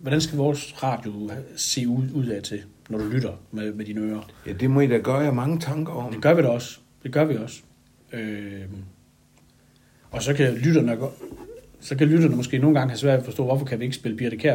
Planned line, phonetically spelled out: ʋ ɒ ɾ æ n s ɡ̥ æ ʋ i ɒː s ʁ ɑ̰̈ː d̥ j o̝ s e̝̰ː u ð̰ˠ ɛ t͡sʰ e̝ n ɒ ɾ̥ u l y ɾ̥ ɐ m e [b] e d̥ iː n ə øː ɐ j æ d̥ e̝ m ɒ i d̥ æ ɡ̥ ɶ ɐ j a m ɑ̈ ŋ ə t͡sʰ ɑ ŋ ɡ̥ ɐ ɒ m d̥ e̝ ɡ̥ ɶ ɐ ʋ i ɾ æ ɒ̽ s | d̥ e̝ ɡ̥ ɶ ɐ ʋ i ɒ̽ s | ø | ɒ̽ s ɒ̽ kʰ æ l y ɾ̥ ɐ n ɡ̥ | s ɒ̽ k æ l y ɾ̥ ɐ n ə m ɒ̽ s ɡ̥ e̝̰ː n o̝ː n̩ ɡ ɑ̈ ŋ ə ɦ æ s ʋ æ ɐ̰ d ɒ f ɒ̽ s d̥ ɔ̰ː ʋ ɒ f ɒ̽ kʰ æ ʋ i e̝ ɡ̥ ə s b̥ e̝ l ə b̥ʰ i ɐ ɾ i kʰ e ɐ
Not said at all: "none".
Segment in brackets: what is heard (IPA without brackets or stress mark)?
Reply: m